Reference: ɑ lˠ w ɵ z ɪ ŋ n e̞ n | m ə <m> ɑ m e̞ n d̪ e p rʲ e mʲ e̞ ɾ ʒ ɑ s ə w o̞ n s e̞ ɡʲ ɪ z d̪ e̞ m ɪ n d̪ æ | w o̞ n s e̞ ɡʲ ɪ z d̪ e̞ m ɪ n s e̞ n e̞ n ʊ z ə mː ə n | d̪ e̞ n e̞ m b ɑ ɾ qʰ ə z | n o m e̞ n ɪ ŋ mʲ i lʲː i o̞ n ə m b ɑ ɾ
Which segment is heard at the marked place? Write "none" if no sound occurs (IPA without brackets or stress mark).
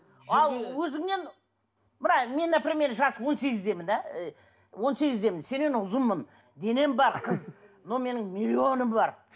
n